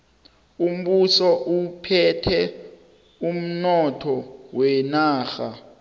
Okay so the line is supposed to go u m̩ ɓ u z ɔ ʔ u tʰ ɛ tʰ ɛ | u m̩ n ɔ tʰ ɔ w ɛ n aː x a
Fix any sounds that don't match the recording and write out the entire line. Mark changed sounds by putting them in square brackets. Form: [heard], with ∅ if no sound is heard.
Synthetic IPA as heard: u m̩ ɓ u [s] ɔ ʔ u [pʰ] ɛ tʰ ɛ | u m̩ n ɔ tʰ ɔ w ɛ n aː x a